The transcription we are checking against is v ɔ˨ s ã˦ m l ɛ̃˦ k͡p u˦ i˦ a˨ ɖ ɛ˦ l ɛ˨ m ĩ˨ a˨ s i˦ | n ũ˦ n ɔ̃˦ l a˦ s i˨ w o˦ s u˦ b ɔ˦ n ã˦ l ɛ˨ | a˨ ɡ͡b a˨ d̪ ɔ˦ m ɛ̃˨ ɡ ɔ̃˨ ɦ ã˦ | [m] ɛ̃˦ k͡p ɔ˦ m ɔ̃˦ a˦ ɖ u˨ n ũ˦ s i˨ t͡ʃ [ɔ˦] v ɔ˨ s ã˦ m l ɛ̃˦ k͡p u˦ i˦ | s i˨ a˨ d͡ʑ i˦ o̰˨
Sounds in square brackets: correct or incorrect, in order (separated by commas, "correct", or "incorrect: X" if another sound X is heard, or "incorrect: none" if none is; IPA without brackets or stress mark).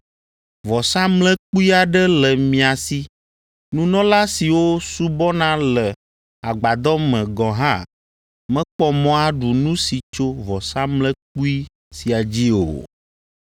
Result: correct, incorrect: o˦